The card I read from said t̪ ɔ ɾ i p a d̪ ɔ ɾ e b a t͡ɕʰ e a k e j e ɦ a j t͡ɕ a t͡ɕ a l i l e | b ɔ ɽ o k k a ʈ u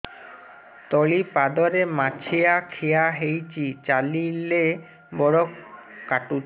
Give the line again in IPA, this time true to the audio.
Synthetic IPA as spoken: t̪ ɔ ɭ i p a d̪ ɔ ɾ e m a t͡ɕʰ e a kʰ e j a ɦ e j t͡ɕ i t͡ɕ a l i l e | b ɔ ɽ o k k a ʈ u